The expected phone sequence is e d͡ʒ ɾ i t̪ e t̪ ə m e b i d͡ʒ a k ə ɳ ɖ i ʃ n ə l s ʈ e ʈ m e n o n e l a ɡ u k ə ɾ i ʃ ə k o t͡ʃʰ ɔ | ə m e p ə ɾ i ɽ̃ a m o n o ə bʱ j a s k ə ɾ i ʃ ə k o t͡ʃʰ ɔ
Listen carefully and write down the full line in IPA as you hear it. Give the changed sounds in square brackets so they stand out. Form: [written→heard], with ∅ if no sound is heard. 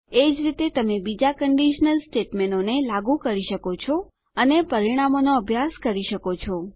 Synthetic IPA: e d͡ʒ ɾ i t̪ e t̪ ə m e b i d͡ʒ a k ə ɳ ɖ i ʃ n ə l s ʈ e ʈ m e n o n e l a ɡ u k ə ɾ i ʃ ə k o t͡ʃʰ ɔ | ə [m→n] e p ə ɾ i ɽ̃ a m o n o ə bʱ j a s k ə ɾ i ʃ ə k o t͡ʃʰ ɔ